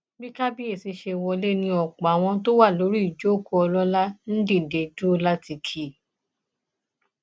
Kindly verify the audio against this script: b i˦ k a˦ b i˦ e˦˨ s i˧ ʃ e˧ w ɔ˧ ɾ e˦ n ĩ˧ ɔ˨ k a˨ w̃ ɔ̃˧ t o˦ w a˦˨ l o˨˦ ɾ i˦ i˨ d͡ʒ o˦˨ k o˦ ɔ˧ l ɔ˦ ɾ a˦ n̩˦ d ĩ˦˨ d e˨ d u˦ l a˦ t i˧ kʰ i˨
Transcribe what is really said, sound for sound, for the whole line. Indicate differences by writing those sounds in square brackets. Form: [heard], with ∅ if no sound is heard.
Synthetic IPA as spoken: b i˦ k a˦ b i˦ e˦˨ s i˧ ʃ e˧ w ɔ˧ [l] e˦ n ĩ˧ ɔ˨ [k͡p] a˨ w̃ ɔ̃˧ t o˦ w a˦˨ l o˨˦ ɾ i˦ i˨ d͡ʒ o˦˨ k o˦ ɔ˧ l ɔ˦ [l] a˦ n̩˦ d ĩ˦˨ d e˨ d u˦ l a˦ t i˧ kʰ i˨

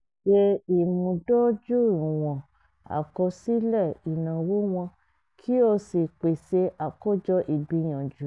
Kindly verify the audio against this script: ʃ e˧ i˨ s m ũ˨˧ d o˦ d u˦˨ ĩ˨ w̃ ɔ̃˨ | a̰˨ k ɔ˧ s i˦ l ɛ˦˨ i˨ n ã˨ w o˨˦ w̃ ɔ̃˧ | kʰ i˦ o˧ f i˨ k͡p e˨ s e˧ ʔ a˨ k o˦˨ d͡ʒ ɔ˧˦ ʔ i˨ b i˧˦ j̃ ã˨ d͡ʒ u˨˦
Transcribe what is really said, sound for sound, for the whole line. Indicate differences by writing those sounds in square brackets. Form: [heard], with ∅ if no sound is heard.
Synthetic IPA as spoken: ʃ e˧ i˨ [∅] m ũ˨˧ d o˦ [d͡ʒ] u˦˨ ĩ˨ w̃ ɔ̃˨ | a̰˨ k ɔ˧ s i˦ l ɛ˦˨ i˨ n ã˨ w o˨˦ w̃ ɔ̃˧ | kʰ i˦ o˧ [s] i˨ k͡p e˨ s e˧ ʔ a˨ k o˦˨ d͡ʒ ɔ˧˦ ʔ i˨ b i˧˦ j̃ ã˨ d͡ʒ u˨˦

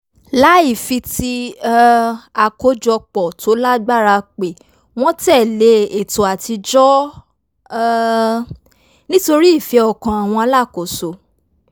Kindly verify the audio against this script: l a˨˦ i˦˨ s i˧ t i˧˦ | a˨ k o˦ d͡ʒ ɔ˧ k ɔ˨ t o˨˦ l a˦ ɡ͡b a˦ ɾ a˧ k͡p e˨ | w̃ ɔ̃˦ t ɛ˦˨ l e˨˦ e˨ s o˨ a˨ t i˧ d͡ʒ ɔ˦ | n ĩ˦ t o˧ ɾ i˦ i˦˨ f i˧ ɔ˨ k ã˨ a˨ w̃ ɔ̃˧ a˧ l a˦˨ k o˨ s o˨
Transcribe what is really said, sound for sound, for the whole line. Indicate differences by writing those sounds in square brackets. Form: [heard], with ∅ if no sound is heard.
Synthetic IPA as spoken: l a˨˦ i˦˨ [f] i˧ t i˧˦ | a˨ k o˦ d͡ʒ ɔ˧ [k͡p] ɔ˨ t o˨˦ l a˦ ɡ͡b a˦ ɾ a˧ k͡p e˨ | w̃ ɔ̃˦ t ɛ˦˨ l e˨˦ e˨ [t] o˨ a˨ t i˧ d͡ʒ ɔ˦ | n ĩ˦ t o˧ ɾ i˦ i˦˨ f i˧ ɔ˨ k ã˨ a˨ w̃ ɔ̃˧ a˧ l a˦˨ k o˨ s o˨

